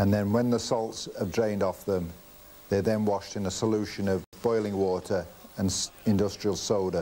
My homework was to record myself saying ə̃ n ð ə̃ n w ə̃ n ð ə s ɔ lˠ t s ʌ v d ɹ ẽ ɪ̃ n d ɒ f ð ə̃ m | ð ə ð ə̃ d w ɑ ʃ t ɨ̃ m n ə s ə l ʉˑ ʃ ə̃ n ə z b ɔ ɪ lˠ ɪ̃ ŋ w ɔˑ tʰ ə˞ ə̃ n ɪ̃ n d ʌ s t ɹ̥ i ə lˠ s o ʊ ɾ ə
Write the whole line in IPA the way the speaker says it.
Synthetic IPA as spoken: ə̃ n ð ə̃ n w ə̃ n ð ə s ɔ lˠ t s ə v d ɹ ẽ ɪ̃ n d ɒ f ð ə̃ m | ð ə ð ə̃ n w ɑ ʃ t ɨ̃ n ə s ə l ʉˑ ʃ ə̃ n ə v b ɔ ɪ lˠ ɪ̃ ŋ w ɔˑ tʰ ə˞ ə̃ n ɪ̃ n d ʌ s t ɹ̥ i ə lˠ s o ʊ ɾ ə